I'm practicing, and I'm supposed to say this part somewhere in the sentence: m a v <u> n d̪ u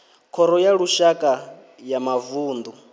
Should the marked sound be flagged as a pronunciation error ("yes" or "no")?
yes